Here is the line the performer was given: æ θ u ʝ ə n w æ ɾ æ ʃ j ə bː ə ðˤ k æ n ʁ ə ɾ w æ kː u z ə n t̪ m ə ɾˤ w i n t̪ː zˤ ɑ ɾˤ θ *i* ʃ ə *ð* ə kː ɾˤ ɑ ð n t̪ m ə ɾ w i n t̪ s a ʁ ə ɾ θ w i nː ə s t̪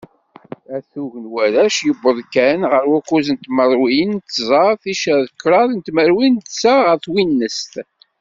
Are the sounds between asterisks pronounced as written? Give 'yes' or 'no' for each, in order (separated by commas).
yes, yes